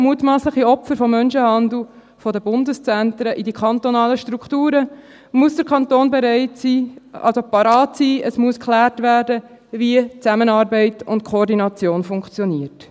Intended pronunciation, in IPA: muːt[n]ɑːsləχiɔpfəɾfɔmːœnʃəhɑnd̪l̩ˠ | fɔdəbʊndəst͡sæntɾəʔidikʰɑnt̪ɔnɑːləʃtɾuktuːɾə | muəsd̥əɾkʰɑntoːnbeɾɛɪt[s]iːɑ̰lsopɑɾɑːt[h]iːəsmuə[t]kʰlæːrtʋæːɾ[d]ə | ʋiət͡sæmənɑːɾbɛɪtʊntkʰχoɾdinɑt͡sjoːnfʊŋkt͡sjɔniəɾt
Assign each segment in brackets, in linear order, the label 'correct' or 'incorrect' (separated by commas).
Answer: incorrect, correct, incorrect, incorrect, correct